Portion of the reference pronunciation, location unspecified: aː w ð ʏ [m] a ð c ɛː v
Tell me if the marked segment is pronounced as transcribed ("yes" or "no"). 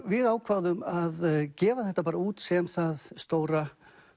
yes